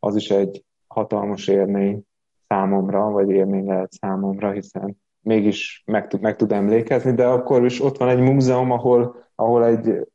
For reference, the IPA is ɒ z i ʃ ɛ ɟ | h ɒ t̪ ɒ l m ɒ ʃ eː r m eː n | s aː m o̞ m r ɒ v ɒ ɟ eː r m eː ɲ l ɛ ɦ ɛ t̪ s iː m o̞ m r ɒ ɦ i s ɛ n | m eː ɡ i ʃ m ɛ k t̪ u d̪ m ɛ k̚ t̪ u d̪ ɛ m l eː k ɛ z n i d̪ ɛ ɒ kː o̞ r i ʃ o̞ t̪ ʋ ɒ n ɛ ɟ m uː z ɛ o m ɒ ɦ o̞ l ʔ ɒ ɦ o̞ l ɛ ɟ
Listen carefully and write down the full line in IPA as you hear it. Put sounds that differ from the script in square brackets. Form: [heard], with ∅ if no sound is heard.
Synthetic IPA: ɒ z i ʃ ɛ ɟ | h ɒ t̪ ɒ l m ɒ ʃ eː r m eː [ɲ] | s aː m o̞ m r ɒ v ɒ ɟ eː r m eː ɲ l ɛ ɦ ɛ t̪ s [aː] m o̞ m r ɒ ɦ i s ɛ n | m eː ɡ i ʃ m ɛ k t̪ u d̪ m ɛ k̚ t̪ u d̪ ɛ m l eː k ɛ z n i d̪ ɛ ɒ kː o̞ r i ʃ o̞ t̪ ʋ ɒ n ɛ ɟ m uː z ɛ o m ɒ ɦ o̞ l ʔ ɒ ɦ o̞ l ɛ ɟ